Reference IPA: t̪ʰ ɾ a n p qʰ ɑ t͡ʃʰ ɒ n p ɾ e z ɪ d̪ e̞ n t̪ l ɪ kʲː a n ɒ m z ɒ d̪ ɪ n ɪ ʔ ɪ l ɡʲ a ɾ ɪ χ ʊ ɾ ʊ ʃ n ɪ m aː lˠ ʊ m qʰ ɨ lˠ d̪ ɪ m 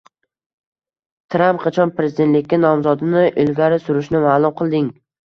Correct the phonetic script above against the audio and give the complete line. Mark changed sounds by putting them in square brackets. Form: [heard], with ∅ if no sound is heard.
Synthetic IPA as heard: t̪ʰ ɾ a [m] p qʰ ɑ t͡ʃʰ ɒ n p ɾ e z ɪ d̪ e̞ n t̪ l ɪ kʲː a n ɒ m z ɒ d̪ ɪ n ɪ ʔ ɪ l ɡʲ a ɾ ɪ [s] ʊ ɾ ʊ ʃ n ɪ m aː lˠ ʊ m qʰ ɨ lˠ d̪ ɪ [ŋ]